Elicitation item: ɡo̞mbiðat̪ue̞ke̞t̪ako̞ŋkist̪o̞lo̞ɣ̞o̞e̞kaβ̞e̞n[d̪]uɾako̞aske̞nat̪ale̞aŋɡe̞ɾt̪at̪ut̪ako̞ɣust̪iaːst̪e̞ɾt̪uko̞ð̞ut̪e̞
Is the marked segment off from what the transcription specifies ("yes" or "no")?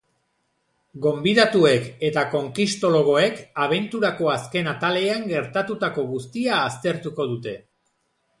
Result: yes